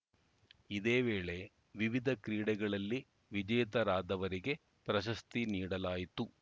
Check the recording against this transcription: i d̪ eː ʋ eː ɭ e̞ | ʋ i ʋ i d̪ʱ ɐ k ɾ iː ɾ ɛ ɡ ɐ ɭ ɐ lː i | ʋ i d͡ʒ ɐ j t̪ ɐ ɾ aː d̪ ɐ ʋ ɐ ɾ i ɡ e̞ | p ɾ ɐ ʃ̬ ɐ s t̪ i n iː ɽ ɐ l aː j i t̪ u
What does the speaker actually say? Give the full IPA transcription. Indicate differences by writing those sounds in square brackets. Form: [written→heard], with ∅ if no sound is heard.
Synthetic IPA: i d̪ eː ʋ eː ɭ e̞ | ʋ i ʋ i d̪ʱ ɐ k ɾ iː [ɾ→ɽ] ɛ ɡ ɐ ɭ ɐ lː i | ʋ i d͡ʒ ɐ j t̪ ɐ ɾ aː d̪ ɐ ʋ ɐ ɾ i ɡ e̞ | p ɾ ɐ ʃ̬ ɐ s t̪ i n iː ɽ ɐ l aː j i t̪ u

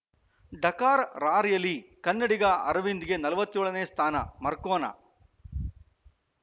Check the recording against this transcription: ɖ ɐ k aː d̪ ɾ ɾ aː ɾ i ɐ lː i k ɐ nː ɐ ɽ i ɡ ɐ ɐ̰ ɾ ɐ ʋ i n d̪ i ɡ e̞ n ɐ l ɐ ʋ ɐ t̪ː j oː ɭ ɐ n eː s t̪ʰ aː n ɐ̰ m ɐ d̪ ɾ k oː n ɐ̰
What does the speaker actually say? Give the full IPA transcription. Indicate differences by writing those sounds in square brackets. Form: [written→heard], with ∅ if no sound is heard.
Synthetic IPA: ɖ ɐ k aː [d̪→∅] ɾ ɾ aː ɾ [i→j] ɐ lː i k ɐ nː ɐ ɽ i ɡ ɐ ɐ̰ ɾ ɐ ʋ i n d̪ i ɡ e̞ n ɐ l ɐ ʋ ɐ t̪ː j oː ɭ ɐ n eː s t̪ʰ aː n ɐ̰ m ɐ [d̪→∅] ɾ k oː n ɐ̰

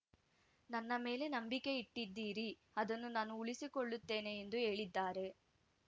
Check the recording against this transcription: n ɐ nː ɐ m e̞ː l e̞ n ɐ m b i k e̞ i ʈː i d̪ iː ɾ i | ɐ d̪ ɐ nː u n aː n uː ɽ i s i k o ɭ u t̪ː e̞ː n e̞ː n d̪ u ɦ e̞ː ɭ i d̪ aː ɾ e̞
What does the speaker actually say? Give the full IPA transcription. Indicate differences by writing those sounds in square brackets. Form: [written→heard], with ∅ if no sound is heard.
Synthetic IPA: n ɐ nː ɐ m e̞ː l e̞ n ɐ m b i k e̞ i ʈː i [d̪→d̪ː] iː ɾ i | ɐ d̪ ɐ nː u n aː n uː [ɽ→ɭ] i s i k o [ɭ→ɭː] u t̪ː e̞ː n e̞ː n d̪ u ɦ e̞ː ɭ i [d̪→d̪ː] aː ɾ e̞

